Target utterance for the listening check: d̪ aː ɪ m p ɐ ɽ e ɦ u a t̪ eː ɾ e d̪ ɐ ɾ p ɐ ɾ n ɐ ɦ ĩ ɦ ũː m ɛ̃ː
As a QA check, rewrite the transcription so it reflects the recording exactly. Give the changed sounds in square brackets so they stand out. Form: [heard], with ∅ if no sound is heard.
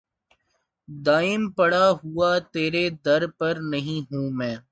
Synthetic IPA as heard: d̪ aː ɪ m p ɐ ɽ [a] ɦ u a t̪ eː ɾ e d̪ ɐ ɾ p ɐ ɾ n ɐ ɦ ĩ ɦ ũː m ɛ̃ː